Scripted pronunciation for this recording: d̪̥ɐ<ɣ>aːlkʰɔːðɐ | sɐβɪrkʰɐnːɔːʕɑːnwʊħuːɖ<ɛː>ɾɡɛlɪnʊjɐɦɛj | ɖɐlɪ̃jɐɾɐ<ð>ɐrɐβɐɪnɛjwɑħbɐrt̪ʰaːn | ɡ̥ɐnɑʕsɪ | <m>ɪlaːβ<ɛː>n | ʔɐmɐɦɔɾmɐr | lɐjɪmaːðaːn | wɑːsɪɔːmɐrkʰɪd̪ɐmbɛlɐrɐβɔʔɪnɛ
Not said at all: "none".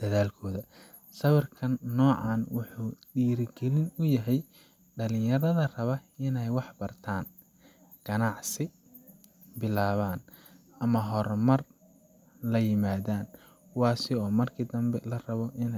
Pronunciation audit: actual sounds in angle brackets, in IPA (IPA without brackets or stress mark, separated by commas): ð, iː, ð, b, aː